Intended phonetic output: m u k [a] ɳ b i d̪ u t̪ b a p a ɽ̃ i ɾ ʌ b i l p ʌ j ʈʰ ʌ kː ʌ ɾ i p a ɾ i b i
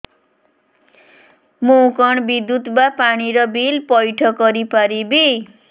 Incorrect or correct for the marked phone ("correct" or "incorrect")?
incorrect